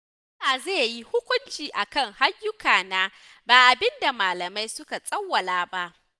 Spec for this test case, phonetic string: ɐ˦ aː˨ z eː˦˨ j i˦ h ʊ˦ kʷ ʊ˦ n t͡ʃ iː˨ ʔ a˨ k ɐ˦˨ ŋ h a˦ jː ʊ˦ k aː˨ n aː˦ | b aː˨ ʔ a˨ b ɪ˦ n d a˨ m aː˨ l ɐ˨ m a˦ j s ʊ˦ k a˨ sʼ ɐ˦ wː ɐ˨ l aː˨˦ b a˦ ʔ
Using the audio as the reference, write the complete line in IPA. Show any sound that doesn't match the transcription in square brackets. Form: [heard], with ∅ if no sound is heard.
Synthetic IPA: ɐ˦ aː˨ z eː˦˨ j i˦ h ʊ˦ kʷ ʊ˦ n t͡ʃ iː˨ ʔ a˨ k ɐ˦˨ ŋ h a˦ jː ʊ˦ k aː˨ n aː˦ | b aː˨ ʔ a˨ b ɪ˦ n d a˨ m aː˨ l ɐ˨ m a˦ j s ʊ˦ k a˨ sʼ ɐ˦ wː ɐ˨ l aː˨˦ b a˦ ʔ